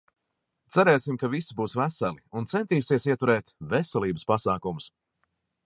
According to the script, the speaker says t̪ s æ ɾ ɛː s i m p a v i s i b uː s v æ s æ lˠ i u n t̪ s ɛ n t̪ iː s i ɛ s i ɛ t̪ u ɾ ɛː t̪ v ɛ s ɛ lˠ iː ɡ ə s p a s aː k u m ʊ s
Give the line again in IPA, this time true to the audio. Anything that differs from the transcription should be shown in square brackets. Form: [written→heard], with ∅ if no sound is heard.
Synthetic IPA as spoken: t̪ s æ ɾ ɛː s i m [p→k] a v i s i b uː s v æ s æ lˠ i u n t̪ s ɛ n t̪ iː s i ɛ s i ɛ t̪ u ɾ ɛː t̪ v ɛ s ɛ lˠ iː [ɡ→b] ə s p a s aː k u m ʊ s